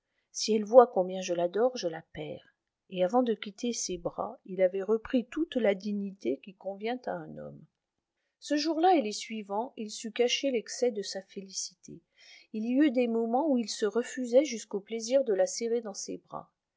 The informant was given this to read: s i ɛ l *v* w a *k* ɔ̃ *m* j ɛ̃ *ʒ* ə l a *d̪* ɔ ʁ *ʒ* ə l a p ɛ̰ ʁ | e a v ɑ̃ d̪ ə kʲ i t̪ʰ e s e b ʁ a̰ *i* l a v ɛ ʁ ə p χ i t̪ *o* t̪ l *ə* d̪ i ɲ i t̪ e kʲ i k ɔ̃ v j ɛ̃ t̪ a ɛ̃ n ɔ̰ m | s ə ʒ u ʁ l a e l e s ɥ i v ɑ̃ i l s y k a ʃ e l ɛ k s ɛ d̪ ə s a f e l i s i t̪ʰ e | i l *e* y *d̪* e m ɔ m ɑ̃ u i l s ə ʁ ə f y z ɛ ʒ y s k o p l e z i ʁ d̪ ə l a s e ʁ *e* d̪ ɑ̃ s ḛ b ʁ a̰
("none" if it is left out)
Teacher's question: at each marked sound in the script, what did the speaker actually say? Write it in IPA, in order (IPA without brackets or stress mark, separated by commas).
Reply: v, k, b, ʒ, d̪, ʒ, i, u, a, i, d̪, e